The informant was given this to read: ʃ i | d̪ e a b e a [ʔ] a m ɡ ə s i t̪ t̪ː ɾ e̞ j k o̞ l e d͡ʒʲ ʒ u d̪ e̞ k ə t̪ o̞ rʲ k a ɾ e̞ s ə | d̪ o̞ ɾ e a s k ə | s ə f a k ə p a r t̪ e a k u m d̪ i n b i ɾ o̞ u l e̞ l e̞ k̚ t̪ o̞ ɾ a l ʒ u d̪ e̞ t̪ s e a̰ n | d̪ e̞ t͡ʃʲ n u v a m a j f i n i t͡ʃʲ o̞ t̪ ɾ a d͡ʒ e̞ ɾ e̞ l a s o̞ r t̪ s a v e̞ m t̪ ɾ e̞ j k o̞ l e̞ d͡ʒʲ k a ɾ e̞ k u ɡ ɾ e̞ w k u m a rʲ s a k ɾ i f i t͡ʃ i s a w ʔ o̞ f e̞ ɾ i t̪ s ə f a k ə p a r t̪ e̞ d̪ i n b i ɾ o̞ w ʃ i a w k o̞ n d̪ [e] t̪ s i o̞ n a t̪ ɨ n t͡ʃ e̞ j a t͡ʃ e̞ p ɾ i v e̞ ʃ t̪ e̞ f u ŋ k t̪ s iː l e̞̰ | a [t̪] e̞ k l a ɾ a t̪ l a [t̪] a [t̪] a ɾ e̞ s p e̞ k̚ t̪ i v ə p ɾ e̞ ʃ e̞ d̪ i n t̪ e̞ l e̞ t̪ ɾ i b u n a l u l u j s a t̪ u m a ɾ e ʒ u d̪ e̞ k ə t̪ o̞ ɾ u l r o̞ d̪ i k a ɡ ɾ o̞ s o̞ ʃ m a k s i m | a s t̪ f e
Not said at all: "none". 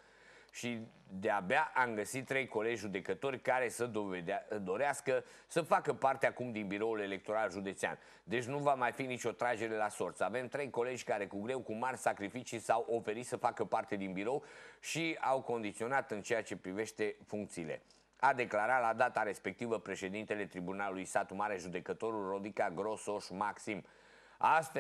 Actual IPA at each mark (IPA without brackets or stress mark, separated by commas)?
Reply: ʔ, i, d̪, d̪, t̪